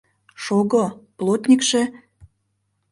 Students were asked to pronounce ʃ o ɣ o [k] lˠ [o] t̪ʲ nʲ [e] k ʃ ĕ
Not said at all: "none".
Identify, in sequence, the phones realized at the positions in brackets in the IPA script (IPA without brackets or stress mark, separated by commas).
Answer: p, o, i